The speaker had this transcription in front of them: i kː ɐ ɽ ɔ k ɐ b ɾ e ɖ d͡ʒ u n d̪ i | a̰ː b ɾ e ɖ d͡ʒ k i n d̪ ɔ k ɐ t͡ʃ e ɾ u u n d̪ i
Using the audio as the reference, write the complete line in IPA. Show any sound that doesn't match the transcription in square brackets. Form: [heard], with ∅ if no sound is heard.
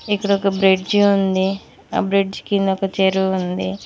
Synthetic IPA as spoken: i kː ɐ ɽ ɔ k ɐ b ɾ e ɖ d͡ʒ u n d̪ i | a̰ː b ɾ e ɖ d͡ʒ k i n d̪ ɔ k ɐ t͡ʃ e ɾ u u n d̪ i